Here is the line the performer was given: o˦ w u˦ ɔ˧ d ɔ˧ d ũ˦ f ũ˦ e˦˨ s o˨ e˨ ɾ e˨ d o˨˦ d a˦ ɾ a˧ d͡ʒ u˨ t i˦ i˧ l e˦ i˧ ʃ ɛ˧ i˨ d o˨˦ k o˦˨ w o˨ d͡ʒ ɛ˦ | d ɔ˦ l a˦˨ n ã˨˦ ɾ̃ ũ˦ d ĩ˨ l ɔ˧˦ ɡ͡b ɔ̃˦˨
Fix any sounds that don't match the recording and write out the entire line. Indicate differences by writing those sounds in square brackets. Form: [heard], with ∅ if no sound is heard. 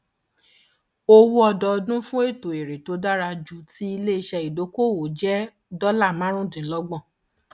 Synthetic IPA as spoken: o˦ w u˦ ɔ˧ d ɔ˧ d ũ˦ f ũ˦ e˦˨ [t] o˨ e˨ ɾ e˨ [t] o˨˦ d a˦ ɾ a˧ d͡ʒ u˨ t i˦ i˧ l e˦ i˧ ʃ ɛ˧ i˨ d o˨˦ k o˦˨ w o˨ d͡ʒ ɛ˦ | d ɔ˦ l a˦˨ [m] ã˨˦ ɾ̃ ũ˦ d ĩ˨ l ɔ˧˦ ɡ͡b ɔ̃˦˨